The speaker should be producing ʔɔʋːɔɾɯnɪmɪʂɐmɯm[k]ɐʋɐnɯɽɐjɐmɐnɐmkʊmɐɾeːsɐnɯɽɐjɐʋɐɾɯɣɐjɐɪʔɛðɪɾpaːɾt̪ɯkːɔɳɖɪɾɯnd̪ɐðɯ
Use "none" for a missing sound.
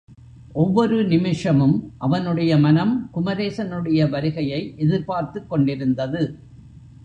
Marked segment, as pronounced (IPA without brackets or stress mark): ʔ